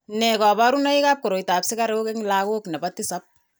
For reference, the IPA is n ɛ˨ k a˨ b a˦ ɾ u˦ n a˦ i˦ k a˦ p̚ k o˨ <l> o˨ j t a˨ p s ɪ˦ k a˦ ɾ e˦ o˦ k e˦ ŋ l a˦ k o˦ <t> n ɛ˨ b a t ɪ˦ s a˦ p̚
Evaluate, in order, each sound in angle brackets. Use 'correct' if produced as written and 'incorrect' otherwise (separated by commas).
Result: incorrect, incorrect